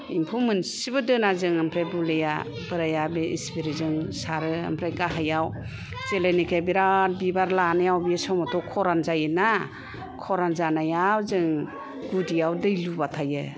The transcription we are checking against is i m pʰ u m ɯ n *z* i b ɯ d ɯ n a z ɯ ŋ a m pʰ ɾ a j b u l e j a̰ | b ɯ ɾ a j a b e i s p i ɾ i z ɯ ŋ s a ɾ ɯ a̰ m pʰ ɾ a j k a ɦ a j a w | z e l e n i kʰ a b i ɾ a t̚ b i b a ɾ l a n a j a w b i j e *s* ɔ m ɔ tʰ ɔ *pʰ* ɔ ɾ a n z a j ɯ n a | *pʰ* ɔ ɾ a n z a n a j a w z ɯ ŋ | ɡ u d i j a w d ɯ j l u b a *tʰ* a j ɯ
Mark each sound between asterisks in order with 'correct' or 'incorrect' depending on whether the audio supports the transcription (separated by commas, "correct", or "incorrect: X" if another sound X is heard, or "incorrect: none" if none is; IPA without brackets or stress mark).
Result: incorrect: s, correct, incorrect: kʰ, incorrect: kʰ, correct